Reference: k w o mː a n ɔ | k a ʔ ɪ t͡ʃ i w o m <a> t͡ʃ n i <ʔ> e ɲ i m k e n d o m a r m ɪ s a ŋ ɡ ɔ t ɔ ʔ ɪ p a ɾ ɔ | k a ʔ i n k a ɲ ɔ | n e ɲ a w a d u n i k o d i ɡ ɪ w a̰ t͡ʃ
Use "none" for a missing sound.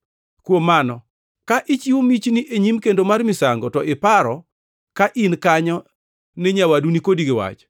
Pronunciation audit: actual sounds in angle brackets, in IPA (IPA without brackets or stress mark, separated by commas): i, ʔ